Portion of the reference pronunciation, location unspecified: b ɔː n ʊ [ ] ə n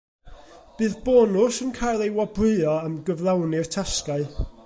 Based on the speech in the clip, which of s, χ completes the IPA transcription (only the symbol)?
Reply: s